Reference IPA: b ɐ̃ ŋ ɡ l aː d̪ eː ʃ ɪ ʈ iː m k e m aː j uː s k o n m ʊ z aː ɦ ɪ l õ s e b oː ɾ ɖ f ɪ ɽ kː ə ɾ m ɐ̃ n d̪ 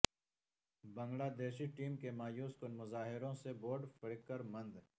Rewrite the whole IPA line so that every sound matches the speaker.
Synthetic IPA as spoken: b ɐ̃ ŋ ɡ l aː d̪ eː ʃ i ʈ iː m k e m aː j uː s k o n m ʊ z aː ɦ ɪ ɾ õ s e b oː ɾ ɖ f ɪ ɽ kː ə ɾ m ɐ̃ n d̪